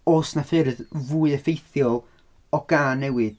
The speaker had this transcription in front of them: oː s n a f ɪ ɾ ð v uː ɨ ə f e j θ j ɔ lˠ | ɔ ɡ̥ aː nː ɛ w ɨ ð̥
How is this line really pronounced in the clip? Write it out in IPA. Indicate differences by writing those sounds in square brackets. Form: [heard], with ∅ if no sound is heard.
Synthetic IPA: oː s n a f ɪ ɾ ð v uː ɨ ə f e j θ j ɔ lˠ | ɔ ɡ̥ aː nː ɛ w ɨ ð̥